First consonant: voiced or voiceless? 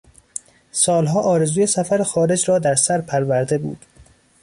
voiceless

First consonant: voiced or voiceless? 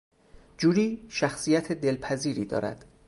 voiced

